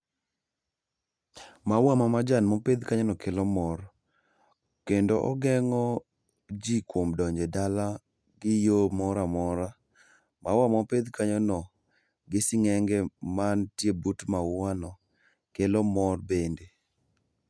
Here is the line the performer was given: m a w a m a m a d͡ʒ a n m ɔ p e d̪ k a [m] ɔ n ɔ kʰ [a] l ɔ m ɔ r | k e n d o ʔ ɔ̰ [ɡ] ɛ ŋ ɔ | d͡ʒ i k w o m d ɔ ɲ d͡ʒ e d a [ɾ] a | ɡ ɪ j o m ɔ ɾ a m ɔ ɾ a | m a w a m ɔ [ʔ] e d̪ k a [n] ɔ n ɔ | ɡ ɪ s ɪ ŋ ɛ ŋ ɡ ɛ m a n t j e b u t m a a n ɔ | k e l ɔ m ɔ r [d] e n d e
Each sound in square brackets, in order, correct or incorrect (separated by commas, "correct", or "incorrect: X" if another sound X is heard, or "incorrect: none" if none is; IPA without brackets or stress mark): incorrect: ɲ, incorrect: e, correct, incorrect: l, incorrect: p, incorrect: ɲ, incorrect: b